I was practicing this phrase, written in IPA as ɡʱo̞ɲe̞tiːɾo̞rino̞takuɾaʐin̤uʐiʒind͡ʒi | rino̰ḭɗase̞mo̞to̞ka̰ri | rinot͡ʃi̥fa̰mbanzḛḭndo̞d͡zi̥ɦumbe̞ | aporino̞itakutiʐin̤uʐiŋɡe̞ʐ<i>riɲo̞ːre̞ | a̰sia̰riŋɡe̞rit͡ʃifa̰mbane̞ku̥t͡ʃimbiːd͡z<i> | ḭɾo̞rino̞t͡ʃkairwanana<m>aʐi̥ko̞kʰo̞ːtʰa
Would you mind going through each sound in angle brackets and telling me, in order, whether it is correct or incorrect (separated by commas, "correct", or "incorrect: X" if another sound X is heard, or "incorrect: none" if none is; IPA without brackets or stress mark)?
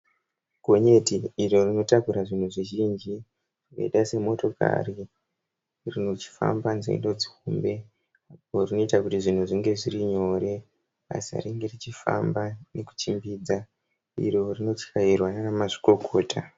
correct, incorrect: a, correct